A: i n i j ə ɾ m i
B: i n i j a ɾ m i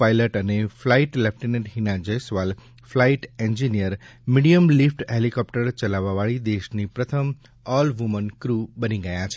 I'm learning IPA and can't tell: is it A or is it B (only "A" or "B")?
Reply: A